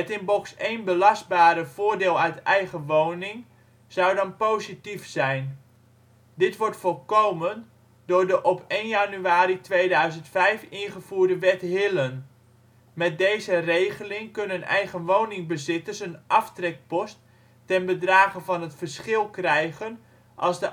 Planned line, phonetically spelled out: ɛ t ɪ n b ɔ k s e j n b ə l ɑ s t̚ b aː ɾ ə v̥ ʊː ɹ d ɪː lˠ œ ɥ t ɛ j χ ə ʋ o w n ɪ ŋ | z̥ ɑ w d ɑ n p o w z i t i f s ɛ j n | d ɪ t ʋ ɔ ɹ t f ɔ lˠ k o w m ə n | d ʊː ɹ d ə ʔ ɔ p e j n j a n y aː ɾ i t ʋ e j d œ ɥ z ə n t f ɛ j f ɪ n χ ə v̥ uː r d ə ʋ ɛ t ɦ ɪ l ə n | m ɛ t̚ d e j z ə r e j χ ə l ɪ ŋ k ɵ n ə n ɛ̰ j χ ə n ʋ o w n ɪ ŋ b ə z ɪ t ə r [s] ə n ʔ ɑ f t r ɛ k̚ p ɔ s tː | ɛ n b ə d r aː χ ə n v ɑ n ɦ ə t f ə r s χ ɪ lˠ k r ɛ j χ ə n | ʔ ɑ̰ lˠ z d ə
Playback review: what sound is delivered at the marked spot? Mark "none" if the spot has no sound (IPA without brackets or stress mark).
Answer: s